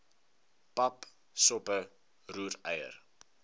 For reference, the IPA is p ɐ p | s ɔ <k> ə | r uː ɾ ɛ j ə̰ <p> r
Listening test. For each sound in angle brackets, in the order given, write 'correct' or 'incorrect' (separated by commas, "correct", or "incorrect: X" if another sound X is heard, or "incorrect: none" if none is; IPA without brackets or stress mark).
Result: incorrect: p, incorrect: none